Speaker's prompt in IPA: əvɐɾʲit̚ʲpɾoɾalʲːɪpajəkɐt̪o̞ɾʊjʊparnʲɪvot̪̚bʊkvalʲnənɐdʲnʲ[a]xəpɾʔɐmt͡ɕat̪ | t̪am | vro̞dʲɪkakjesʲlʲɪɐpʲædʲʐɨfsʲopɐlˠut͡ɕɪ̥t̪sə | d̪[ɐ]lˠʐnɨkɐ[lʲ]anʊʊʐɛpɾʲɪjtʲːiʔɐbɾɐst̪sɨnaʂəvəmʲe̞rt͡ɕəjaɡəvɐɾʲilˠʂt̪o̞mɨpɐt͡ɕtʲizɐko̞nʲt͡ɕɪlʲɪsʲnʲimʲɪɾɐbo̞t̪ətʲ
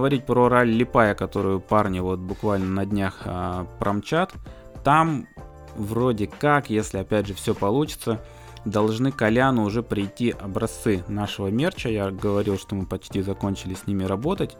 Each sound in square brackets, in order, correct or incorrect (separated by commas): correct, correct, correct